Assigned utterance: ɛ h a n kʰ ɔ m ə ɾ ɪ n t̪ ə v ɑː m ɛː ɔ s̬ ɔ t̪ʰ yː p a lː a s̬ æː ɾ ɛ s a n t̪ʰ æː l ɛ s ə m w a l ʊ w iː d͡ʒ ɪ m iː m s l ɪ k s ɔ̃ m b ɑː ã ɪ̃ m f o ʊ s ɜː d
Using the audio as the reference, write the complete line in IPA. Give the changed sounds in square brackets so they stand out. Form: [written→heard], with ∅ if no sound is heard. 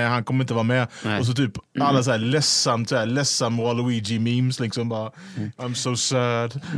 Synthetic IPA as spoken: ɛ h a n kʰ ɔ m ə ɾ ɪ n t̪ ə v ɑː m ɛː ɔ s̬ ɔ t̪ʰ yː p a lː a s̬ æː [ɾ→l] ɛ s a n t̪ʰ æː l ɛ s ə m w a l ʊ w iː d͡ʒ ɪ m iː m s l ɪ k s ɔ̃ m b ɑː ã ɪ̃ m [f→s] o ʊ s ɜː d